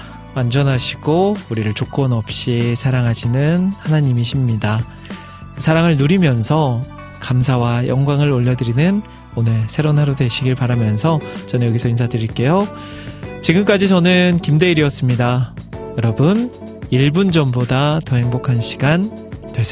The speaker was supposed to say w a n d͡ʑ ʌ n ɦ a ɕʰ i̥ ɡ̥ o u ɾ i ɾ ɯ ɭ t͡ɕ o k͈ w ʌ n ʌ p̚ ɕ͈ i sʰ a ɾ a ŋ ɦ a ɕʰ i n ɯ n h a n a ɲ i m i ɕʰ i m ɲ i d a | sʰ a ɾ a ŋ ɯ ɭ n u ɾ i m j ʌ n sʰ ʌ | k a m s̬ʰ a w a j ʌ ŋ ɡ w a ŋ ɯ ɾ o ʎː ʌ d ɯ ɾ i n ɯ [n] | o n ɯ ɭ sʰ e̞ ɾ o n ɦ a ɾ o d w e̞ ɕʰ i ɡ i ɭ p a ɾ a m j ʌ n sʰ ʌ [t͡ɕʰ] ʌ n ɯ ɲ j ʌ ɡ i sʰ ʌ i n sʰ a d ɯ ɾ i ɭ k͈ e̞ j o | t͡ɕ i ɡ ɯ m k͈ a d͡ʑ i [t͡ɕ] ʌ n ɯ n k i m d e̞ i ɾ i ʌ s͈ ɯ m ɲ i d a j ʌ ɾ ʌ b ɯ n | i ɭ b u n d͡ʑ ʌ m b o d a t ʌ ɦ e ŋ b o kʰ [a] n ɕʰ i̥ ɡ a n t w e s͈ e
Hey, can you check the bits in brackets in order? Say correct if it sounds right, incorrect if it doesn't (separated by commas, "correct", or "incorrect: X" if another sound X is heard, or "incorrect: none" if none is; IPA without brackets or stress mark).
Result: correct, incorrect: t͡ɕ, correct, correct